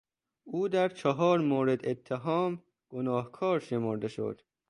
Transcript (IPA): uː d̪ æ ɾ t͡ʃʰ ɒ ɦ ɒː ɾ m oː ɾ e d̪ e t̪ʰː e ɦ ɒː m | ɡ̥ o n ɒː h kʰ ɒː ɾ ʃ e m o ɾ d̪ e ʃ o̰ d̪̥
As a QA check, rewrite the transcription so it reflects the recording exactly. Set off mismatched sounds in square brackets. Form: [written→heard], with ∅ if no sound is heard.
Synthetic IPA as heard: uː d̪ æ ɾ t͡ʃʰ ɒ ɦ ɒː ɾ m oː ɾ e d̪ e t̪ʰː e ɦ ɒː m | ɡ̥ o n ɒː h kʰ ɒː ɾ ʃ e m o ɾ d̪ e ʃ o̰ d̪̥

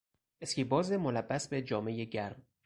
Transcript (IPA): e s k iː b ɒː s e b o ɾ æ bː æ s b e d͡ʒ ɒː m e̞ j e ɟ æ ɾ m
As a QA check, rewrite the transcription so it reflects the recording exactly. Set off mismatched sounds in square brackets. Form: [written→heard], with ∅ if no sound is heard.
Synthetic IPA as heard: e s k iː b ɒː [s→z] e [b→m] o [ɾ→l] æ bː æ s b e d͡ʒ ɒː m e̞ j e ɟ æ ɾ m

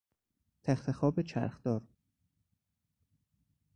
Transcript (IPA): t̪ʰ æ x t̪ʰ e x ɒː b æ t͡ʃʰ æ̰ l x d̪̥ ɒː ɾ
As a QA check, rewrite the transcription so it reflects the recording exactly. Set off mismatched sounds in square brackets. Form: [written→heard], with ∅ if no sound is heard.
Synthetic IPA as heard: t̪ʰ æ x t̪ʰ e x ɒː b [æ→e] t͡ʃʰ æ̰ [l→ɾ] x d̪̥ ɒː ɾ

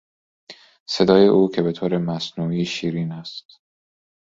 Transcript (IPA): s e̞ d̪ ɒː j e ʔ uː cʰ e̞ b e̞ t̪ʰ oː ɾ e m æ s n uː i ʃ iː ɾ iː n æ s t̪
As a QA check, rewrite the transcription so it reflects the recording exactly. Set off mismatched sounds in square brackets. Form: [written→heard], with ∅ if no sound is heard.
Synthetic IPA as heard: s e̞ d̪ ɒː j e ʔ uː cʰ e̞ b e̞ t̪ʰ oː ɾ e m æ s n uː i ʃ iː ɾ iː n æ s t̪

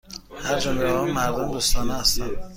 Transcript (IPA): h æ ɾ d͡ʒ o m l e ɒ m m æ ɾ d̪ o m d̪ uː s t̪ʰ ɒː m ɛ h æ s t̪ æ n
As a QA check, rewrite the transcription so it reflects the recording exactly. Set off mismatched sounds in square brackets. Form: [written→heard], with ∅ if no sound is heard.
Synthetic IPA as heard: h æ ɾ d͡ʒ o m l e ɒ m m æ ɾ d̪ o m d̪ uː s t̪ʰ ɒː [m→n] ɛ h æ s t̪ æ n

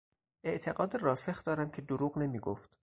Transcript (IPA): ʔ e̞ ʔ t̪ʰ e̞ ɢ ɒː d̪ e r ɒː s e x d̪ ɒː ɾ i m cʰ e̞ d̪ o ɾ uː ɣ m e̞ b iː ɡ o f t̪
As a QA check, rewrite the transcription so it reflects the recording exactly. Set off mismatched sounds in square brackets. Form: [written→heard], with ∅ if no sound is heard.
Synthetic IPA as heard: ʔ e̞ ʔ t̪ʰ e̞ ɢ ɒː d̪ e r ɒː s e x d̪ ɒː ɾ [i→æ] m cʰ e̞ d̪ o ɾ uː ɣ [m→n] e̞ [b→m] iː ɡ o f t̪

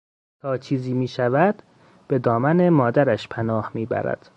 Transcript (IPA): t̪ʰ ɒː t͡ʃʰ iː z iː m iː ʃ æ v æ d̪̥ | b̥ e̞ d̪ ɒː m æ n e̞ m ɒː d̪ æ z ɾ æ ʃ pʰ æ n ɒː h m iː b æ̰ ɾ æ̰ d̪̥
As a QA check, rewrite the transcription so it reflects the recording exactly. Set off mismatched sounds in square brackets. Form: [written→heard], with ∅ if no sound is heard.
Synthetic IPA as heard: t̪ʰ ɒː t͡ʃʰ iː z iː m iː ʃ æ v æ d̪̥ | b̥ e̞ d̪ ɒː m æ n e̞ m ɒː d̪ æ [z→∅] ɾ æ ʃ pʰ æ n ɒː h m iː b æ̰ ɾ æ̰ d̪̥

